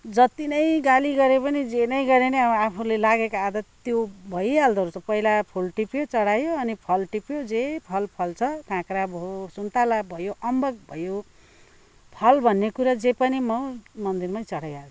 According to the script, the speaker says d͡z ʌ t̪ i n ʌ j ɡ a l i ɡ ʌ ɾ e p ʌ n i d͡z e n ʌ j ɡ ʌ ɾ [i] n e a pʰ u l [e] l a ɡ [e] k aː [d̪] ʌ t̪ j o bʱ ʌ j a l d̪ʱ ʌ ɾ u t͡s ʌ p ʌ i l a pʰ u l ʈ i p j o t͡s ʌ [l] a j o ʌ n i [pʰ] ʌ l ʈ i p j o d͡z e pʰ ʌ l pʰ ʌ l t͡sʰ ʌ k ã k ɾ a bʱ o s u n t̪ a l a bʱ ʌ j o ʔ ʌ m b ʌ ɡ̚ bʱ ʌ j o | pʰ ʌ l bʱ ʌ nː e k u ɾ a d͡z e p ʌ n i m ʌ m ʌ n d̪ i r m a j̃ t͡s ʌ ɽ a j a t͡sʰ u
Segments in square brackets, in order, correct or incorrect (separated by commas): incorrect, correct, correct, correct, incorrect, correct